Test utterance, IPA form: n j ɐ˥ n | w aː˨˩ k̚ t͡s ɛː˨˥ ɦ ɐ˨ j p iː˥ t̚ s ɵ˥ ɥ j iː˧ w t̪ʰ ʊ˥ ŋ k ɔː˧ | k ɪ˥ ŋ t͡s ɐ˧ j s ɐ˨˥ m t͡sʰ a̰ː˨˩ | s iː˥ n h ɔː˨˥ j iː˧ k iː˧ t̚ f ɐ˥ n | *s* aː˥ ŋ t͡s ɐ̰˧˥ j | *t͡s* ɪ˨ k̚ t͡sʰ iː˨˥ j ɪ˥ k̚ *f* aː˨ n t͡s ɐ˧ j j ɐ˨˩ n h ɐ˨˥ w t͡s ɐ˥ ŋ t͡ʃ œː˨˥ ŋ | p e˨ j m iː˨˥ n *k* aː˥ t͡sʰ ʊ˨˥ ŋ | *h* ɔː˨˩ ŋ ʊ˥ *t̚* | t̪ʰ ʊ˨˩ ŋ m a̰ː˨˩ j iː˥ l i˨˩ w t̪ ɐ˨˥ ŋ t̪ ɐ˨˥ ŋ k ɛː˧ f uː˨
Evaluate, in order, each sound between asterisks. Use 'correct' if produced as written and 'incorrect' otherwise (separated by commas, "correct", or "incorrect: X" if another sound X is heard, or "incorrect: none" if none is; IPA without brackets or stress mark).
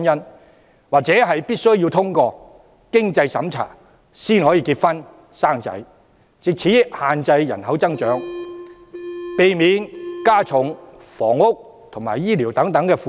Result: correct, correct, incorrect: h, correct, incorrect: f, incorrect: k̚